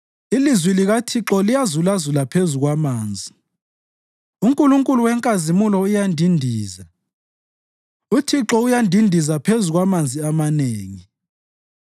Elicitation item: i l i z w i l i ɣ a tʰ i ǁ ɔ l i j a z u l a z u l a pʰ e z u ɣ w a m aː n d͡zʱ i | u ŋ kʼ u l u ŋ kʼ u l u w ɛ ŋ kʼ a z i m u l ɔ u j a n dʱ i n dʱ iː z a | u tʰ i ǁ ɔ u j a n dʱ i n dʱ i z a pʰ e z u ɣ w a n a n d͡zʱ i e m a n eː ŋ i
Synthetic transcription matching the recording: i l i z w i l i ɣ a tʰ i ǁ ɔ l i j a z u l a z u l a pʰ e z u ɣ w a m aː n d͡zʱ i | u ŋ kʼ u l u ŋ kʼ u l u w ɛ ŋ kʼ a z i m u l ɔ u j a n dʱ i n dʱ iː z a | u tʰ i ǁ ɔ u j a n dʱ i n dʱ i z a pʰ e z u ɣ w a m a n d͡zʱ i a m a n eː ŋ i